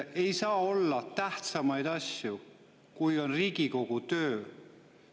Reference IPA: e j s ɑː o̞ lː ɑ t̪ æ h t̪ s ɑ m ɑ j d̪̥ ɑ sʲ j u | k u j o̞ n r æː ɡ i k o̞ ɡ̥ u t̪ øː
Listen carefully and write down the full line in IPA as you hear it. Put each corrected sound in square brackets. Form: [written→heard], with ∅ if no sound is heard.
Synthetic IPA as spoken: e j s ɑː o̞ lː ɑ t̪ æ h t̪ s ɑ m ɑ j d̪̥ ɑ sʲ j u | k u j o̞ n r [æː→iː] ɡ i k o̞ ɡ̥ u t̪ øː